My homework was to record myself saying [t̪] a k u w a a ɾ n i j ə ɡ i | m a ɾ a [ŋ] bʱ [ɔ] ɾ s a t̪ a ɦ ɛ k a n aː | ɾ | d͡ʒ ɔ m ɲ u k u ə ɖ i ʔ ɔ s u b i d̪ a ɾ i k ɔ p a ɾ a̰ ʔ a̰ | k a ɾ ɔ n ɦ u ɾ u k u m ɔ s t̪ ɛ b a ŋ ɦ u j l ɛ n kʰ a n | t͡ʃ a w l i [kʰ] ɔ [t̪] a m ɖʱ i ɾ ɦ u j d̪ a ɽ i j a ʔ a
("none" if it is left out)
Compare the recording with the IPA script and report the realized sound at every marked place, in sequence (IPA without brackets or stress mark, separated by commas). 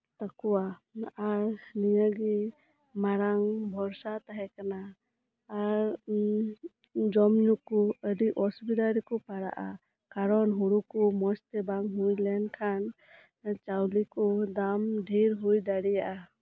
t̪, ŋ, ɔ, k, d̪